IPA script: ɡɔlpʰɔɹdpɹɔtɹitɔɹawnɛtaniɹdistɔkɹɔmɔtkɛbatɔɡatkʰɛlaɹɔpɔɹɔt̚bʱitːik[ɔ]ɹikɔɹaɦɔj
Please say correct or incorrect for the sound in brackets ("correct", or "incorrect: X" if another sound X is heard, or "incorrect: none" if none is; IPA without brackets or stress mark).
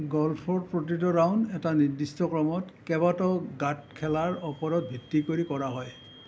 incorrect: o